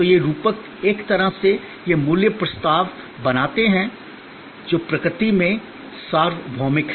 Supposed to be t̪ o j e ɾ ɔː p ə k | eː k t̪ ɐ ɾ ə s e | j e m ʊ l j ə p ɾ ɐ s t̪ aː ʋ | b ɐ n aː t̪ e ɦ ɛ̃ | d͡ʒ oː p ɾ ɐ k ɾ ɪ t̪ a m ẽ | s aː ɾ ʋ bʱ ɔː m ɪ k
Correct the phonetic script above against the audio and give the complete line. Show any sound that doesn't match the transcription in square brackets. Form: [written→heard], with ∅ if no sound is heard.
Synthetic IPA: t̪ o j e ɾ [ɔː→uː] p ə k | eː k t̪ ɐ ɾ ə s e | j e m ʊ l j ə p ɾ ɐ s t̪ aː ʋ | b ɐ n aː t̪ e ɦ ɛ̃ | d͡ʒ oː p ɾ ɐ k ɾ ɪ t̪ [a→i] m ẽ | s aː ɾ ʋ bʱ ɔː m ɪ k